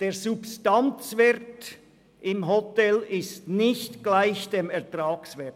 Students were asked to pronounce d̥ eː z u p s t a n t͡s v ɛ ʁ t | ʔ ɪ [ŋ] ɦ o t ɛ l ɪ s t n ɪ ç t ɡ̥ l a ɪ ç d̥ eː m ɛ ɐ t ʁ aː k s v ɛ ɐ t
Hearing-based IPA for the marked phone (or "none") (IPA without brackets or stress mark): m